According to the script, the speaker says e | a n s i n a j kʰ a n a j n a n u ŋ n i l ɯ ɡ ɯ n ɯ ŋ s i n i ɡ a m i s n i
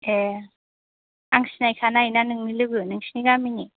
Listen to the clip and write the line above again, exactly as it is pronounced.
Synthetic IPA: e | a ŋ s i n a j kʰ a n a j n a n ɯ ŋ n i l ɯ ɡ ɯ n ɯ ŋ s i n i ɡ a m i n i